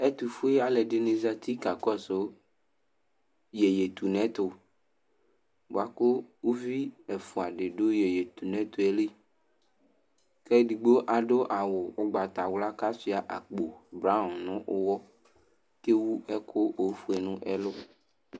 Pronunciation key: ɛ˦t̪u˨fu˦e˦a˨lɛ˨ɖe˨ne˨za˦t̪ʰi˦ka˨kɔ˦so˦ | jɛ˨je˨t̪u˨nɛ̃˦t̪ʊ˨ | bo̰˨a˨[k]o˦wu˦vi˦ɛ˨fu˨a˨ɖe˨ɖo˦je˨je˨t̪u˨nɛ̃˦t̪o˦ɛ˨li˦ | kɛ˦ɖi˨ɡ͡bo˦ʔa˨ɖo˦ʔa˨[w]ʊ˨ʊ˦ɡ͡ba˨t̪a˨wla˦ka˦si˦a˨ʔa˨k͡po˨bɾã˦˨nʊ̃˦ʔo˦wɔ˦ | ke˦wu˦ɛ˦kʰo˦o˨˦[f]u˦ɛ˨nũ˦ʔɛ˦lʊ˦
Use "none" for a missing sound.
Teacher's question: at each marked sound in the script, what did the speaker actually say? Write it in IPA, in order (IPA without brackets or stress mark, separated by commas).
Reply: k, w, f